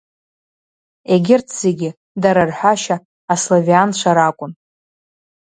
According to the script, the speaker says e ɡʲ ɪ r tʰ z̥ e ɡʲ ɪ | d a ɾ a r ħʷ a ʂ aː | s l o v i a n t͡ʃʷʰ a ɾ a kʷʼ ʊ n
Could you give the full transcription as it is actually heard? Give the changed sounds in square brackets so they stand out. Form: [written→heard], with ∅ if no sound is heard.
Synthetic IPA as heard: e ɡʲ ɪ r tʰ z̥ e ɡʲ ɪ | d a ɾ a r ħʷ a [ʂ→ʃ] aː | s l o v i a n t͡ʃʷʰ a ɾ a kʷʼ ʊ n